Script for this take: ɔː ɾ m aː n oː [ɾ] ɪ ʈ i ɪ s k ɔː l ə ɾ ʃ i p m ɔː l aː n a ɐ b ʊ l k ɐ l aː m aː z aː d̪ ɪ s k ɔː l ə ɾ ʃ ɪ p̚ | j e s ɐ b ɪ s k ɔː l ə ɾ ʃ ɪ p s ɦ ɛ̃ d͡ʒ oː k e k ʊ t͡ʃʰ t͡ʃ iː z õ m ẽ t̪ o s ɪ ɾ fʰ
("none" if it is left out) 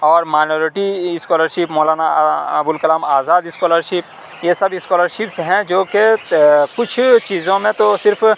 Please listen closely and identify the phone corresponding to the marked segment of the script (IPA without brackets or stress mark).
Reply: ɾ